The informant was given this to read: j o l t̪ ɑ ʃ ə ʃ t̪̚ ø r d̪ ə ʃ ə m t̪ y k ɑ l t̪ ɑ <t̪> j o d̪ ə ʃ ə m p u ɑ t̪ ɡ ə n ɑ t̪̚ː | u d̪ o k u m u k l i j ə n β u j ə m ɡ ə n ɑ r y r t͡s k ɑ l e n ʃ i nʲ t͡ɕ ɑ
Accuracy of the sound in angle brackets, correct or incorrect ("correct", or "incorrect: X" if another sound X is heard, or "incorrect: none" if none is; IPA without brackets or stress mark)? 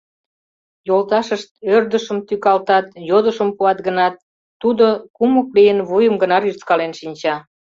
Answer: correct